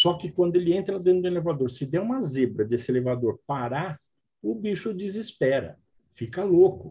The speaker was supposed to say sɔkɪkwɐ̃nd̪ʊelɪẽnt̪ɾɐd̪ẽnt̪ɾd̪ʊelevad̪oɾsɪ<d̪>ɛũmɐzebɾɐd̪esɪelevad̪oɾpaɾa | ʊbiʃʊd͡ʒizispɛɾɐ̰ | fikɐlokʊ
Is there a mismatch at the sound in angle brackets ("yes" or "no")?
no